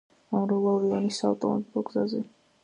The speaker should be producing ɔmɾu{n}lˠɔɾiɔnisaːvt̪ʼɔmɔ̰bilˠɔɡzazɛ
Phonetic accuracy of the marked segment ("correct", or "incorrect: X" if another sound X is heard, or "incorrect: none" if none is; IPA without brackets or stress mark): incorrect: none